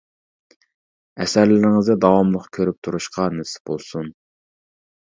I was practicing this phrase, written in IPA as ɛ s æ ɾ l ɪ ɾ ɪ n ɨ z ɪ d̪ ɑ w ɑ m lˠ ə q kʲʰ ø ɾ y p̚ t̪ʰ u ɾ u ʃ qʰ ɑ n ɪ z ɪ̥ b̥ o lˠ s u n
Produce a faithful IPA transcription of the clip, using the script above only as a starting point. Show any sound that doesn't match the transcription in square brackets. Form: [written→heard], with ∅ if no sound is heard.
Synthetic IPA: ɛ s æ ɾ l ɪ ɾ ɪ [n→ŋ] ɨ z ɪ d̪ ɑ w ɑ m lˠ ə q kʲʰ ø ɾ y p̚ t̪ʰ u ɾ u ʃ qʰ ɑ n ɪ [z→s] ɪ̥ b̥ o lˠ s u n